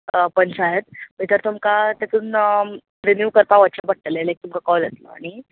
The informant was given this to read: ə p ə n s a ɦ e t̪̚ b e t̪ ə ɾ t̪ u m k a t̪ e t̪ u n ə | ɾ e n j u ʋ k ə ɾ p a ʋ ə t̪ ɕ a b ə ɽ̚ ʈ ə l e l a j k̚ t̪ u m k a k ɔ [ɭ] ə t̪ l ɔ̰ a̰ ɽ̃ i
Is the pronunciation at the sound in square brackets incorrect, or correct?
incorrect